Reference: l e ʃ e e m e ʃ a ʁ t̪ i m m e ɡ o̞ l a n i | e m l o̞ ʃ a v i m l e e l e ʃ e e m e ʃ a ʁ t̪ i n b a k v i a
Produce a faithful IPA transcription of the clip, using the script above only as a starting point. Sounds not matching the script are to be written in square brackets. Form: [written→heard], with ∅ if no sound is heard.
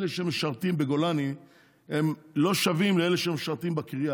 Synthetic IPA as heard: l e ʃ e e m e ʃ a ʁ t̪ i m [m→b] e ɡ o̞ l a n i | e m l o̞ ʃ a v i m l e e l e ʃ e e m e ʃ a ʁ t̪ i [n→m] b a k [v→ʁ] i a